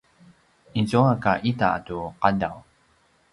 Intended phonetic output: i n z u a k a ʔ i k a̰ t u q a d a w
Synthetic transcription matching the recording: i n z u a k a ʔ i t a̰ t u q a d a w